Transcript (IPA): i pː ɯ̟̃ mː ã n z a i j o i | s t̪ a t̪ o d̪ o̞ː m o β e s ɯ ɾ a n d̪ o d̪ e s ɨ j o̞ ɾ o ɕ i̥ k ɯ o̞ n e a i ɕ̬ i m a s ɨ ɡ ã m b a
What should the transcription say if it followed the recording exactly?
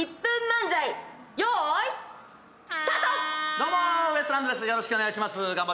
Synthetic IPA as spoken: i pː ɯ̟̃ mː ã n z a i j o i | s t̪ a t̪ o d̪ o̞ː m o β e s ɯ ɾ a n d̪ o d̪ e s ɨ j o̞ ɾ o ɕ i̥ k ɯ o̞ n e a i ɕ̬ i m a s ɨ ɡ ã m b a